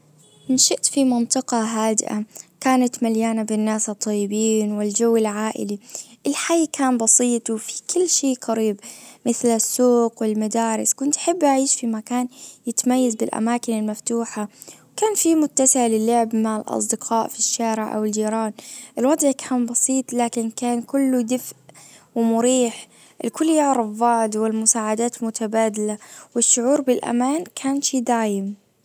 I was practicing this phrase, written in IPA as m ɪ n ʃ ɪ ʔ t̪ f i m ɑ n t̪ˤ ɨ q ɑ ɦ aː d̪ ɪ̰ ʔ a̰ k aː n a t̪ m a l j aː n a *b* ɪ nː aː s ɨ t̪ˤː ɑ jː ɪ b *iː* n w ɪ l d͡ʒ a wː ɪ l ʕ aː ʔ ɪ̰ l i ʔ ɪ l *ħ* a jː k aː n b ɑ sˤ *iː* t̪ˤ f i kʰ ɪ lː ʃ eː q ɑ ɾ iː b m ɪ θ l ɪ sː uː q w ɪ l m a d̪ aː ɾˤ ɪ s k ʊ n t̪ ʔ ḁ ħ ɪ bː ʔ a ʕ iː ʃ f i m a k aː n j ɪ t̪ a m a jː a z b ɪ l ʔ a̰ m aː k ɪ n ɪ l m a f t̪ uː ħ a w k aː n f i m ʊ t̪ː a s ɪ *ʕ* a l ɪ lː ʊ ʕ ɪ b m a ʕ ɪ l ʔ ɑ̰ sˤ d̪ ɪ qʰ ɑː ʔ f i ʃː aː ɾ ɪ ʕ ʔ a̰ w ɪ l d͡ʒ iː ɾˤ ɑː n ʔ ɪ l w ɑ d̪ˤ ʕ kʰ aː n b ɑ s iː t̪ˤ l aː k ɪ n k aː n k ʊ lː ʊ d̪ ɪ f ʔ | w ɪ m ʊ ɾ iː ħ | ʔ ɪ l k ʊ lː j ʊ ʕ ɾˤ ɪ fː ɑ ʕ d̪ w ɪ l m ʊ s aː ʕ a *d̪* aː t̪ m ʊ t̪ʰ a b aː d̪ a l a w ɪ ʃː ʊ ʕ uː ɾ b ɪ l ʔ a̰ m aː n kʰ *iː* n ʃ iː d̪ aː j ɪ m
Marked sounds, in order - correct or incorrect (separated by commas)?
correct, correct, correct, correct, correct, correct, incorrect